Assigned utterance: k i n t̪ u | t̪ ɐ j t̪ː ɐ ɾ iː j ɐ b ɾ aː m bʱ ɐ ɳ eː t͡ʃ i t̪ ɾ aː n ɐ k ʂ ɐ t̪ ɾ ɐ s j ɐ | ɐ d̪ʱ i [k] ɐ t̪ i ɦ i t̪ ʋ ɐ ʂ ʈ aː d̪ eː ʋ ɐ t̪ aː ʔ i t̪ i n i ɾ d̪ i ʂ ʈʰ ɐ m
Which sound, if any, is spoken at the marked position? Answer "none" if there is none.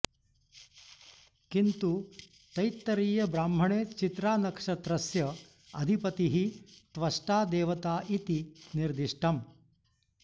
p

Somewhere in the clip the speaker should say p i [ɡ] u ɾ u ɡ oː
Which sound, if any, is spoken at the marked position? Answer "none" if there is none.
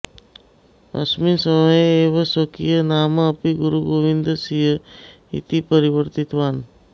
ɡ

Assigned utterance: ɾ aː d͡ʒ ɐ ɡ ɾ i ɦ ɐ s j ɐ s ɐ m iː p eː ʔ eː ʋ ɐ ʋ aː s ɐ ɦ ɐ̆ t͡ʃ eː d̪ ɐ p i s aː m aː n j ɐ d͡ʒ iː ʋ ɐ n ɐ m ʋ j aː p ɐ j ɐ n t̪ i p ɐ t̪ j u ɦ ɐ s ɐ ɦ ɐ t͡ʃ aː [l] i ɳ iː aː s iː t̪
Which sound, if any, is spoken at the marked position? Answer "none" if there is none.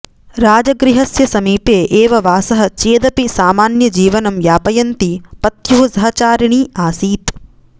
ɾ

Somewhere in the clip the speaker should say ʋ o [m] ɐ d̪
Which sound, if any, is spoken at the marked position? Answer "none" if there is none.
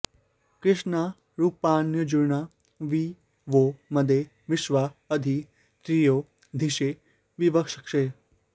m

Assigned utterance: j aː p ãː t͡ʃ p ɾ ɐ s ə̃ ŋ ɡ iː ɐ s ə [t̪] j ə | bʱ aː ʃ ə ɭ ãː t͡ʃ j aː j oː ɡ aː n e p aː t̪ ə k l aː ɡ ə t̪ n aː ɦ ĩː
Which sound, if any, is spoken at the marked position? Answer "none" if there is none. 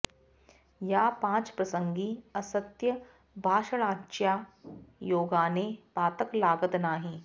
t̪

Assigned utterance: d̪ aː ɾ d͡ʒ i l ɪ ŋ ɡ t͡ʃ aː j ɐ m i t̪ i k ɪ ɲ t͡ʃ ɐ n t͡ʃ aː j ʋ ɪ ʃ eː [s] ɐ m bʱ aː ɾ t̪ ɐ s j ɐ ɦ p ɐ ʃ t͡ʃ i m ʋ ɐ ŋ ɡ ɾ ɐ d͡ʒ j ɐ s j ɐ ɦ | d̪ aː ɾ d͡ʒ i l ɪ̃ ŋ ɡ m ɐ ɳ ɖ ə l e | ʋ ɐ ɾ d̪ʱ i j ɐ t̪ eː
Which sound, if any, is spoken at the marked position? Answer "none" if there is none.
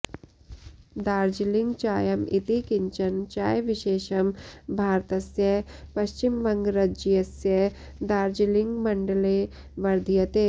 ʃ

